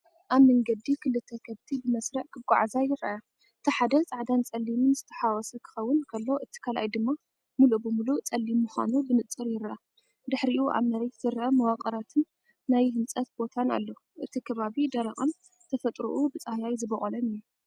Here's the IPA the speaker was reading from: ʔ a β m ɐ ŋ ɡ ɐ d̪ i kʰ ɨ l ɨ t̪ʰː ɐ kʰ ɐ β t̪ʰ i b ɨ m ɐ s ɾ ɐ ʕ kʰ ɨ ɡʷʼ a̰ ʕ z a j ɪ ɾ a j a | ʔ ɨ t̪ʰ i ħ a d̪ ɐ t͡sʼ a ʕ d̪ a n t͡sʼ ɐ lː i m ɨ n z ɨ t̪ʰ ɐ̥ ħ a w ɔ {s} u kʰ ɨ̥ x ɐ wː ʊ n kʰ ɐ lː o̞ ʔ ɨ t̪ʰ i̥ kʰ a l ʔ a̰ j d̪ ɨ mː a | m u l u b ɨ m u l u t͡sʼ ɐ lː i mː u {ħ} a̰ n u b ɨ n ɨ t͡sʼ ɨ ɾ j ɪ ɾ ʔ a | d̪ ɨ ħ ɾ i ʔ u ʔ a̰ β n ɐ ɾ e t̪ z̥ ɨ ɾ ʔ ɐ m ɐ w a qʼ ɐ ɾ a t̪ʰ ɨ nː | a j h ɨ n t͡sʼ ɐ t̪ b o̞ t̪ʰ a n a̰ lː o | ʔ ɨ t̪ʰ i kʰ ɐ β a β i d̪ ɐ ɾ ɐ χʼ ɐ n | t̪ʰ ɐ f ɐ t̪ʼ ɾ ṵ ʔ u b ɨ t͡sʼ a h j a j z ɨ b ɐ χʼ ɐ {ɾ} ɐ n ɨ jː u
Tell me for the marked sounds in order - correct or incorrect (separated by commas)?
correct, incorrect, incorrect